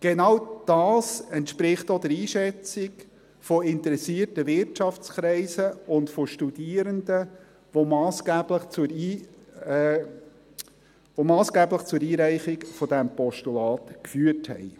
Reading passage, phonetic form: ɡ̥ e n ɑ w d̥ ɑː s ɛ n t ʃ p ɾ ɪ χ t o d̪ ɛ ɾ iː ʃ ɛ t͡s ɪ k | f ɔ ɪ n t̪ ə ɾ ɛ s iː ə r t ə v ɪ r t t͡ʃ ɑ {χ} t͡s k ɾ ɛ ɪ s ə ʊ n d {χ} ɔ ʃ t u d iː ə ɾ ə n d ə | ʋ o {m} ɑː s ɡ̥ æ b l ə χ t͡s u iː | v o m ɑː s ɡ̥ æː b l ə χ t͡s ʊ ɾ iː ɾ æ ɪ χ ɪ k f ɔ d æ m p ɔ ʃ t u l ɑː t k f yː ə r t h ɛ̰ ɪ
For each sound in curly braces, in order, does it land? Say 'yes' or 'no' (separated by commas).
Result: no, no, yes